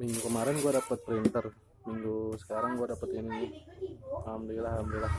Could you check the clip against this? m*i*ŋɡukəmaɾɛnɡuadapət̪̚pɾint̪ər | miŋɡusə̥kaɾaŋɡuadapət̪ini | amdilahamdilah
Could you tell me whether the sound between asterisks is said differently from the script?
no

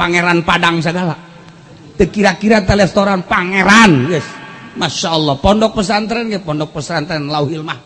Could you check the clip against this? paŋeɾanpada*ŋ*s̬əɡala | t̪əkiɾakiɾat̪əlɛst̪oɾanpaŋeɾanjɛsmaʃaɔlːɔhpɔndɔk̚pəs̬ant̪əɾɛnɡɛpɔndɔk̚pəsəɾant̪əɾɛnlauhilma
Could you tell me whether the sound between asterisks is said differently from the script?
no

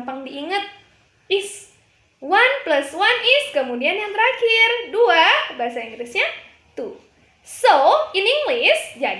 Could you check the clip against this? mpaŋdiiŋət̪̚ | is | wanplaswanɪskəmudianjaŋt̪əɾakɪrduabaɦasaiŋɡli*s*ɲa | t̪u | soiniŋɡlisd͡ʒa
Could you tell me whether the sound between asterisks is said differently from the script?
no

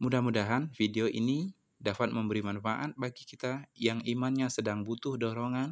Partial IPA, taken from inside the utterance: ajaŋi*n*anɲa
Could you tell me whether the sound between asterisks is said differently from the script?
yes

